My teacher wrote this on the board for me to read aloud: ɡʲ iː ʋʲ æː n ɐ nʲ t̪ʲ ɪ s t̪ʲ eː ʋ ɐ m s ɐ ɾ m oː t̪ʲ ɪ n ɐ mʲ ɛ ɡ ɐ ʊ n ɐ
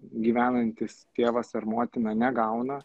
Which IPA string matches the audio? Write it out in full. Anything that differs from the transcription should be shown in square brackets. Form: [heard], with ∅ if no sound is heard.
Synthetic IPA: ɡʲ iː ʋʲ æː n ɐ nʲ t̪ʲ ɪ s t̪ʲ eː ʋ ɐ [∅] s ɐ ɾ m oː t̪ʲ ɪ n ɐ [nʲ] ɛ ɡ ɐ ʊ n ɐ